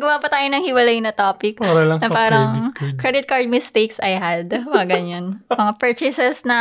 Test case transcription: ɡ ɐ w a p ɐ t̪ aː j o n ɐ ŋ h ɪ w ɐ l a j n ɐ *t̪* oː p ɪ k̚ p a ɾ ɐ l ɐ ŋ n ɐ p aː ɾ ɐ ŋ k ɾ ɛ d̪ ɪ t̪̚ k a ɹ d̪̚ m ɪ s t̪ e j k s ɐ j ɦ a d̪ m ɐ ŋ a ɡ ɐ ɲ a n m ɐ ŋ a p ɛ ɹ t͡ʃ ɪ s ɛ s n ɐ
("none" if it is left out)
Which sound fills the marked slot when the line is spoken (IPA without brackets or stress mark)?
t̪